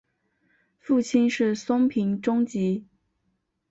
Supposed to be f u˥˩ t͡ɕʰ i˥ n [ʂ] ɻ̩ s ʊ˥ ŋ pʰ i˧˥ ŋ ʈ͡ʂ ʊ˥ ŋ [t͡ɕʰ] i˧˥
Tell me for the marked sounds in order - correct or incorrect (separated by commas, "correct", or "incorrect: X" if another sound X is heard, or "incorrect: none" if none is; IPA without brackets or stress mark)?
correct, incorrect: t͡ɕ